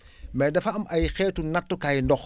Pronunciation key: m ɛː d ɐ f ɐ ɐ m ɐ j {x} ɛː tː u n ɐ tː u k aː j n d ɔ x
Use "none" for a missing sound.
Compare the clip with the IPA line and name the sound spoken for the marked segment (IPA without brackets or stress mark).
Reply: x